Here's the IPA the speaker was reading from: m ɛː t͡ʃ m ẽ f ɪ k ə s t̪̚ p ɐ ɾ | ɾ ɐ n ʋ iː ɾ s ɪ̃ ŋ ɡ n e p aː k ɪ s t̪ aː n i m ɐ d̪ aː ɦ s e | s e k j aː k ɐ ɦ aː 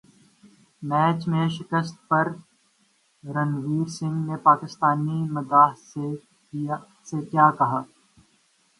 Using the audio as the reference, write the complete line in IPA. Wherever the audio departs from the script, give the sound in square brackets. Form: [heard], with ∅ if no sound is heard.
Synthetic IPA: m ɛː t͡ʃ m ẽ [ʃ] ɪ k ə s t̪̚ p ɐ ɾ | ɾ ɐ n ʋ iː ɾ s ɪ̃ ŋ ɡ n e p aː k ɪ s t̪ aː n i m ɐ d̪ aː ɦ s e | s e k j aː k ɐ ɦ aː